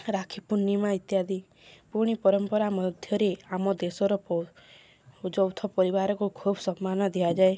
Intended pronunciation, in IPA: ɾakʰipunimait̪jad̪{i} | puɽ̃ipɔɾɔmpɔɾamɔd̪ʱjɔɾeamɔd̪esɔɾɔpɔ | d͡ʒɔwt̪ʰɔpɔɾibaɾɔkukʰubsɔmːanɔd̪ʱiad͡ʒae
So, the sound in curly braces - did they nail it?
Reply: yes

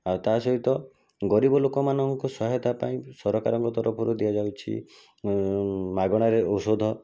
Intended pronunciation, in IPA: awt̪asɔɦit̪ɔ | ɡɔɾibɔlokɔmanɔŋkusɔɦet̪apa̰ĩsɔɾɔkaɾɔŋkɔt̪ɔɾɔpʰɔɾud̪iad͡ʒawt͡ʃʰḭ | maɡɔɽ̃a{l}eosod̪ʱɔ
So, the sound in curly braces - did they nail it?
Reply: no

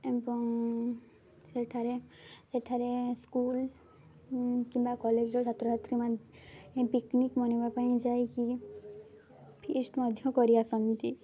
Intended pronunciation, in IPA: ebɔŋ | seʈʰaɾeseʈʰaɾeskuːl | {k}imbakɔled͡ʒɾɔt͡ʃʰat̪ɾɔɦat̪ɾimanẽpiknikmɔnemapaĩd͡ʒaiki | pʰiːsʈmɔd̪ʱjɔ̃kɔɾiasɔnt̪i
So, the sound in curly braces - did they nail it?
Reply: yes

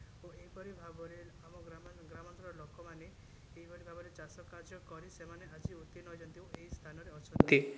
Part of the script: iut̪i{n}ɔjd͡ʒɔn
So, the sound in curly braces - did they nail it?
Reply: yes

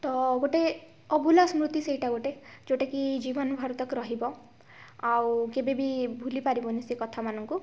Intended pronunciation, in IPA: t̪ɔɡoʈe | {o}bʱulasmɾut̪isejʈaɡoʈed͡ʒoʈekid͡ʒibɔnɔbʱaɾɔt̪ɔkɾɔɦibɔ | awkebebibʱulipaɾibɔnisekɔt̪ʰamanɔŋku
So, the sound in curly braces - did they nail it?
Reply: no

